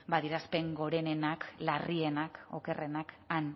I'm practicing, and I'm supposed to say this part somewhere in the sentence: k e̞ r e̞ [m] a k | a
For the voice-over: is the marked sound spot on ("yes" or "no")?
no